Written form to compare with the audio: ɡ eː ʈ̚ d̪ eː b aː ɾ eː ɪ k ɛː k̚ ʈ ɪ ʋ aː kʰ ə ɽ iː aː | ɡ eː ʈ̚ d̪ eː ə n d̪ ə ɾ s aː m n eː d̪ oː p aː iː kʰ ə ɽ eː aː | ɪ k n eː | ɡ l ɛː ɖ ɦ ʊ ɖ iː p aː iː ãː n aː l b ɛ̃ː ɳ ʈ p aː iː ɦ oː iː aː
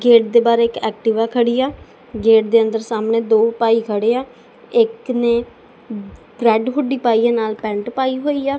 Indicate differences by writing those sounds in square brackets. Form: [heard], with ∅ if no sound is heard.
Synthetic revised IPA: ɡ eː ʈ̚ d̪ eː b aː ɾ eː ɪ k ɛː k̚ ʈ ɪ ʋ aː kʰ ə ɽ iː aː | ɡ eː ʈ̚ d̪ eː ə n d̪ ə ɾ s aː m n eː d̪ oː p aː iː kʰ ə ɽ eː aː | ɪ k n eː | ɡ [ɾ] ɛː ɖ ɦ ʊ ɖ iː p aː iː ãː n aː l [p] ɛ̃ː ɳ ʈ p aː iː ɦ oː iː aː